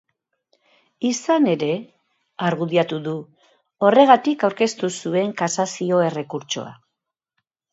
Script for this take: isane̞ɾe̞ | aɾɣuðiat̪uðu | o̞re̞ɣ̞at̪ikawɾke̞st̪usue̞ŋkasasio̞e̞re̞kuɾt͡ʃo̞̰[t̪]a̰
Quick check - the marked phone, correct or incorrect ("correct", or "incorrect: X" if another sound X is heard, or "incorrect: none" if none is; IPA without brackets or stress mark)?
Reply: incorrect: none